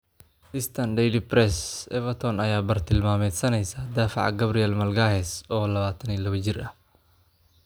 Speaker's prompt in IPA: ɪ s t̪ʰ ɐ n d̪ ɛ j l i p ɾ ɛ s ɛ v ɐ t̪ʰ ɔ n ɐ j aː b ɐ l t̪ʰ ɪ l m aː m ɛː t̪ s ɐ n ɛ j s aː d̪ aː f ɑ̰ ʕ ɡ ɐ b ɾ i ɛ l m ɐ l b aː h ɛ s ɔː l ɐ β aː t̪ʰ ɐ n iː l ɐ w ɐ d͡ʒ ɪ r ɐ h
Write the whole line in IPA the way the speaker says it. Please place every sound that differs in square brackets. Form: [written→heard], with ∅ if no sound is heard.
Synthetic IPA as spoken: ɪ s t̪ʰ ɐ n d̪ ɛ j l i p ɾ ɛ s ɛ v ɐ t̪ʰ ɔ n ɐ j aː b ɐ [l→r] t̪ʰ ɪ l m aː m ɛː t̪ s ɐ n ɛ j s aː d̪ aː f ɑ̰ ʕ ɡ ɐ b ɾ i ɛ l m ɐ l [b→ɡ] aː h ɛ s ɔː l ɐ β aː t̪ʰ ɐ n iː l ɐ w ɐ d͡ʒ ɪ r ɐ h